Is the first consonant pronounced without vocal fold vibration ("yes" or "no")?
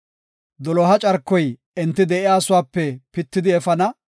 no